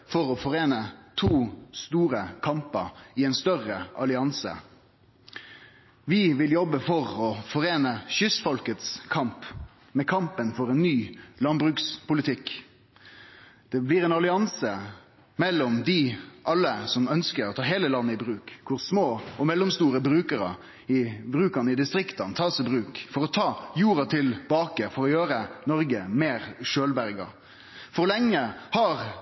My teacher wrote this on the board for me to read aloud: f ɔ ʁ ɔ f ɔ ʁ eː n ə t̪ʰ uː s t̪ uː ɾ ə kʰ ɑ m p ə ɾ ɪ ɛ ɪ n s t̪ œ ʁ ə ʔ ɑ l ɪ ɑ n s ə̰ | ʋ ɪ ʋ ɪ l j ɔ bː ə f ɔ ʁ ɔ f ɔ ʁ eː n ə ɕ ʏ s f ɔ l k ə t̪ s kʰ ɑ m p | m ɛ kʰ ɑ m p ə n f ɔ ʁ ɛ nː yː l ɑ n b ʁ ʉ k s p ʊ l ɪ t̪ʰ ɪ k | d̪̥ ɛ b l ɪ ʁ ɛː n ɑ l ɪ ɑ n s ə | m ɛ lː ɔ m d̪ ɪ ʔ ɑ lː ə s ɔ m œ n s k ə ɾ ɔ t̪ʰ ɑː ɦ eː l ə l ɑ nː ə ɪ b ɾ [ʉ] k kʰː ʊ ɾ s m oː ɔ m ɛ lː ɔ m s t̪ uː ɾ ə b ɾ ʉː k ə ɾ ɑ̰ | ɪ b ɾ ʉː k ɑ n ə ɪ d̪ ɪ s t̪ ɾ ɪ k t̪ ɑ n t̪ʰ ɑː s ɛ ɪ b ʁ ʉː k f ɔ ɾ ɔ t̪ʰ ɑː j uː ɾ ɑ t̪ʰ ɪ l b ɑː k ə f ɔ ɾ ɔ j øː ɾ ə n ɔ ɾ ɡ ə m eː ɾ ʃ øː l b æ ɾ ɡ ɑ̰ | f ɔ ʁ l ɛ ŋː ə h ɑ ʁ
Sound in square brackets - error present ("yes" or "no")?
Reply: yes